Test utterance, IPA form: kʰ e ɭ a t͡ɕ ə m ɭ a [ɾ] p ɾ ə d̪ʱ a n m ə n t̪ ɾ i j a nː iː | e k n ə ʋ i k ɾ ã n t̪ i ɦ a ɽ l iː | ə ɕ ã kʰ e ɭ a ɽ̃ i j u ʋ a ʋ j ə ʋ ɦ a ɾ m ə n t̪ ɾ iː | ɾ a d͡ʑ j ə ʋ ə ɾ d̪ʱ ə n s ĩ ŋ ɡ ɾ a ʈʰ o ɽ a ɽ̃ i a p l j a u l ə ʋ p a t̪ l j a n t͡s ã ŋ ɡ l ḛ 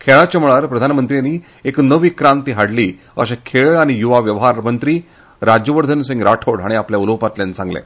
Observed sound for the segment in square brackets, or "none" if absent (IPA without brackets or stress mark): ɾ